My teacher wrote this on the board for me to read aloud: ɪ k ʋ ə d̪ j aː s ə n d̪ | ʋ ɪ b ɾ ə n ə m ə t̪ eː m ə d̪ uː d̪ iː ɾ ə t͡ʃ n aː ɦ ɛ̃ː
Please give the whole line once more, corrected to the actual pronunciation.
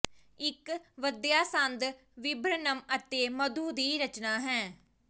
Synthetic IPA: ɪ k ʋ ə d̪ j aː s ə n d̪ | ʋ ɪ b ɾ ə n ə m ə t̪ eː m ə d̪ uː d̪ iː ɾ ə t͡ʃ n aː ɦ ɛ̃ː